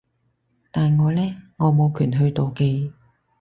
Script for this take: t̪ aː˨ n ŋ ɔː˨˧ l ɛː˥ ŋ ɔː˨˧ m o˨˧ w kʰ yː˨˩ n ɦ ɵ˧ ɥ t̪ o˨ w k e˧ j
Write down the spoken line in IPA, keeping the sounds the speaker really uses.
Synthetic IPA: t̪ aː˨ n ŋ ɔː˨˧ l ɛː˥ ŋ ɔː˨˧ m o˨˧ w kʰ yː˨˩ n ɦ ɵ˧ ɥ t̪ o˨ w k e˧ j